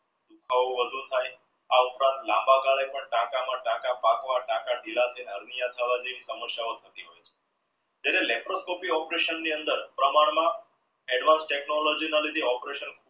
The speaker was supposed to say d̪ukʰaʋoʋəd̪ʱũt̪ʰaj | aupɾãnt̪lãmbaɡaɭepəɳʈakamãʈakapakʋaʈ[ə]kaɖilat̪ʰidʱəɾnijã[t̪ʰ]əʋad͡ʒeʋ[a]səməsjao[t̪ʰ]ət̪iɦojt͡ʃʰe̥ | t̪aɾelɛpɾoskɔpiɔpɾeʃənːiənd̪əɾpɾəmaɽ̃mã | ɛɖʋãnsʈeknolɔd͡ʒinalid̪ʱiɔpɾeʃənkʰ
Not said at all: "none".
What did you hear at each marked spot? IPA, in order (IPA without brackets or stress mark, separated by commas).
a, t̪ʰ, i, t̪ʰ